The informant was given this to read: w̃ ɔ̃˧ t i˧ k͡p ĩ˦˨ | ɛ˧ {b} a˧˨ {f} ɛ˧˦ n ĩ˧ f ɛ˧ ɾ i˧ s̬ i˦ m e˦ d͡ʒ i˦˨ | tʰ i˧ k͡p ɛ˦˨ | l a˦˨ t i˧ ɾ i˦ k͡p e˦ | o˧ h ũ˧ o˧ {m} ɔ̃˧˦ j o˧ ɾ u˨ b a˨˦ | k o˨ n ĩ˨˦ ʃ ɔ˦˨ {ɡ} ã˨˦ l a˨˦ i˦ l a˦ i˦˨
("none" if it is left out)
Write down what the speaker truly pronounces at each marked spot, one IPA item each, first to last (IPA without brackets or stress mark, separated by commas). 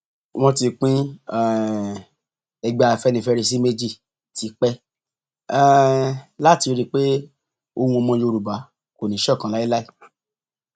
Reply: ɡ͡b, f, m, k